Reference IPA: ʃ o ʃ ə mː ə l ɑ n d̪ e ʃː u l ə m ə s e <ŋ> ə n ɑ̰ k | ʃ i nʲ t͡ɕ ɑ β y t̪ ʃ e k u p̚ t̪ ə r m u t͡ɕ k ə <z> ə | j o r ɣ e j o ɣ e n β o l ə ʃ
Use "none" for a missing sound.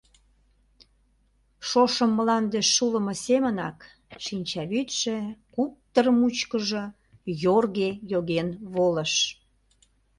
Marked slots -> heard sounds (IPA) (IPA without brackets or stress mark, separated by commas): m, ʒ